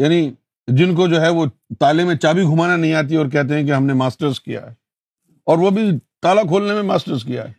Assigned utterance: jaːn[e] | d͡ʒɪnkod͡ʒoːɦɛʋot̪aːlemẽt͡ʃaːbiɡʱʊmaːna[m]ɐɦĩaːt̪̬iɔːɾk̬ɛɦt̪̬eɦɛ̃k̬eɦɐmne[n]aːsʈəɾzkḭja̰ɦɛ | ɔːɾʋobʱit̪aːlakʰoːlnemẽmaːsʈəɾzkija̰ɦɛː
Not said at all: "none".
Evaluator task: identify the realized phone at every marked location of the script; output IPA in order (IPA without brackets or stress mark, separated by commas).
i, n, m